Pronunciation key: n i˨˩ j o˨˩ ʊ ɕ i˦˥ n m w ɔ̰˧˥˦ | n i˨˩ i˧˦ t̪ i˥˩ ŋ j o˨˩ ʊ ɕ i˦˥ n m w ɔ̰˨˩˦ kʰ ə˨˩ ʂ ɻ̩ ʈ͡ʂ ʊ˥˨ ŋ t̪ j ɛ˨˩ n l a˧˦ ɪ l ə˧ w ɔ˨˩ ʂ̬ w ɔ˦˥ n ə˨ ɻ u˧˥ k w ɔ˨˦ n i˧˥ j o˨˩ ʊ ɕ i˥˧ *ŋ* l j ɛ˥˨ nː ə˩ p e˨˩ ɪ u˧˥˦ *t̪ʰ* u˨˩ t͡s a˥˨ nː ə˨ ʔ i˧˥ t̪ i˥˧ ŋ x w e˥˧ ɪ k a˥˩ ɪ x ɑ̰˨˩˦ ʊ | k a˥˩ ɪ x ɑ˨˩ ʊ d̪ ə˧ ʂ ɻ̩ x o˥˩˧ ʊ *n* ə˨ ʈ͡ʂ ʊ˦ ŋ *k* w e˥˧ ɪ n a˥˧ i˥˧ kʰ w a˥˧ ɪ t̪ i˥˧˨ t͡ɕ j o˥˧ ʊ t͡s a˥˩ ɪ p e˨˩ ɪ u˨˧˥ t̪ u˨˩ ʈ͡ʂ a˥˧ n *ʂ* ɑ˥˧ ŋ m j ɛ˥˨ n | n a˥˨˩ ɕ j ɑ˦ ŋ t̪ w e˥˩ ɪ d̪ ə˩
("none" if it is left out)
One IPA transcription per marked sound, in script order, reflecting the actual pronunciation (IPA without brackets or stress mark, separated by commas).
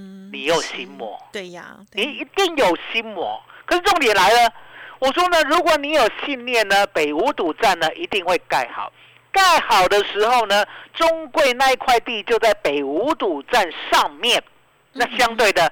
n, t̪, n, k, ʂ